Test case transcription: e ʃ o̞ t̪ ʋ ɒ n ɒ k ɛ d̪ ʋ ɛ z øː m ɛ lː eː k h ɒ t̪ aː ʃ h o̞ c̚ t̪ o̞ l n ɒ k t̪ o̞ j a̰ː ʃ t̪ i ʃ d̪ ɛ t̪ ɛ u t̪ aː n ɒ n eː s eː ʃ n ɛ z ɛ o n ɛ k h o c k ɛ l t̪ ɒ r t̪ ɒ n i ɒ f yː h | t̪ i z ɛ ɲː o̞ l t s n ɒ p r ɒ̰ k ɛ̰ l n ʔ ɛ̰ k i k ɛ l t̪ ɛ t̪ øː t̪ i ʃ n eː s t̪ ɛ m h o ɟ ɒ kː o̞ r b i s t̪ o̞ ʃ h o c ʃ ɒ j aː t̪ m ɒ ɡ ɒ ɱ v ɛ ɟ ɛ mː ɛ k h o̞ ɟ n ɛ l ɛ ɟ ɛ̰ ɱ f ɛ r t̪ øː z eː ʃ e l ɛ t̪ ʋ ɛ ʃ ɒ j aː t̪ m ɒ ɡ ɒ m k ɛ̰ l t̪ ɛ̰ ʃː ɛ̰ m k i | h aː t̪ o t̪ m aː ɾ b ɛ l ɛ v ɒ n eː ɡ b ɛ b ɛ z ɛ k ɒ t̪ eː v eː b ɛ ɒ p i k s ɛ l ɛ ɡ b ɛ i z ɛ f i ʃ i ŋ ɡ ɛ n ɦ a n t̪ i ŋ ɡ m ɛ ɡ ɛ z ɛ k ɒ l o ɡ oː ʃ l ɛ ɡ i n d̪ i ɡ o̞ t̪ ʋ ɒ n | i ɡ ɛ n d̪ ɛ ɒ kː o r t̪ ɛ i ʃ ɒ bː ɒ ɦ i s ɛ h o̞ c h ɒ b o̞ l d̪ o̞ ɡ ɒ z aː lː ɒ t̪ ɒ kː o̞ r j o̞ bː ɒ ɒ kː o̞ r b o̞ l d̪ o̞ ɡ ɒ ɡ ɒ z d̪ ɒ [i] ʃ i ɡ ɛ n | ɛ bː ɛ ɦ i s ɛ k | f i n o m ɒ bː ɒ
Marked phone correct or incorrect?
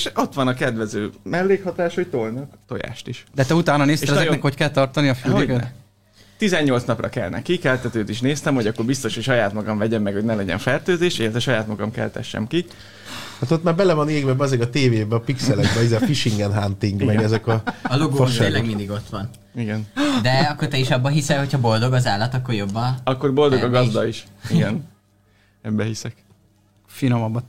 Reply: correct